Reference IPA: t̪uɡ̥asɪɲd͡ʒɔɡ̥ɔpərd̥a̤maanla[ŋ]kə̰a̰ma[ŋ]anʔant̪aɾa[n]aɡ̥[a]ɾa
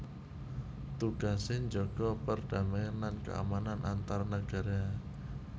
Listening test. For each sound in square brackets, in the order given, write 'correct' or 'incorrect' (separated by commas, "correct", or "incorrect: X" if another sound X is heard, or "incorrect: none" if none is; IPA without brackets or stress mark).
incorrect: n, incorrect: n, correct, correct